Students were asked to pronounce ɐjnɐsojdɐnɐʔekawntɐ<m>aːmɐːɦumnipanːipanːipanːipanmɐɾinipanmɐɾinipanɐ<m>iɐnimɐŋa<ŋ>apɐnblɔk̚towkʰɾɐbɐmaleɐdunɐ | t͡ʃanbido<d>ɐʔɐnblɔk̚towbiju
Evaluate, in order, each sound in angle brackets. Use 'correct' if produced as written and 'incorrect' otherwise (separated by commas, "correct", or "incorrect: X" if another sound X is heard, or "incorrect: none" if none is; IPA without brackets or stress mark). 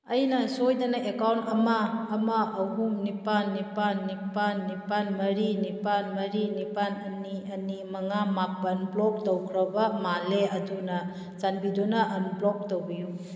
correct, incorrect: n, incorrect: m, incorrect: n